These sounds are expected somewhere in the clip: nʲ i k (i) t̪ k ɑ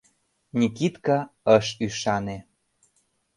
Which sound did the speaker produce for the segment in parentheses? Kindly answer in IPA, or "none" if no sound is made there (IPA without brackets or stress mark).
i